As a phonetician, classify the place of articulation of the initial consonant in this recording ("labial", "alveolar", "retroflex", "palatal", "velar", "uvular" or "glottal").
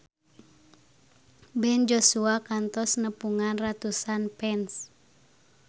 labial